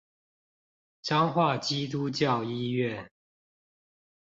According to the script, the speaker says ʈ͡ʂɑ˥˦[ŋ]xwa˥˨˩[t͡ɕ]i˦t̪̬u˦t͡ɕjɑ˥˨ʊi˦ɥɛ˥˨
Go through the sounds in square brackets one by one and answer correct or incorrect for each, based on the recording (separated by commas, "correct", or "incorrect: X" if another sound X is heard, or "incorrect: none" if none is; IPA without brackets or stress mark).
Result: correct, correct